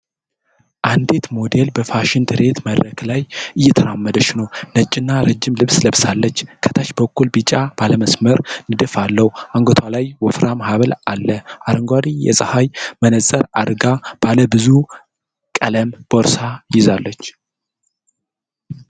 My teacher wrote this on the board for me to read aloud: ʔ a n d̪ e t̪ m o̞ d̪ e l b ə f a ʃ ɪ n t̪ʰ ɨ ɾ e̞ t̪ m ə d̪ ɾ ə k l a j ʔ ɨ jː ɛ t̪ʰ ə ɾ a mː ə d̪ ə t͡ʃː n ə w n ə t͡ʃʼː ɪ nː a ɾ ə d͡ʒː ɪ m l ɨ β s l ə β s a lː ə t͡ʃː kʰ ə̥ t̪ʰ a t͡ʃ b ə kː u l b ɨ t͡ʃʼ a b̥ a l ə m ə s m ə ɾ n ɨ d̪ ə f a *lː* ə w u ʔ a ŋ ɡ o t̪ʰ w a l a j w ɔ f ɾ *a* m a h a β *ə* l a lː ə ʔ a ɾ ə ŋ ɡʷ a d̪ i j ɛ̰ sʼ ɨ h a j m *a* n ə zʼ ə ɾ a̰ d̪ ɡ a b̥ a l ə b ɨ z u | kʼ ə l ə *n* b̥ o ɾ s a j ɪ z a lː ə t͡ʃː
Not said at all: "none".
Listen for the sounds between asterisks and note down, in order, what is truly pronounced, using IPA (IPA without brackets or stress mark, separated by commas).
lː, a, ə, ə, m